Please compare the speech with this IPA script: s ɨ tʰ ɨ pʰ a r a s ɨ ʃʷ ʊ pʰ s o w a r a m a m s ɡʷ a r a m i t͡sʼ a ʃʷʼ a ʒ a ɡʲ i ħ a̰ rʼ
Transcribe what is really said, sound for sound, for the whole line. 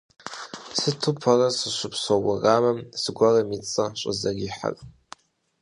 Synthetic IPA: s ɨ tʰ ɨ pʰ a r a s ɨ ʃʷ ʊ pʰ s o w a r a m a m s ɡʷ a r a m i t͡sʼ a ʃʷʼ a z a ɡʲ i ħ a̰ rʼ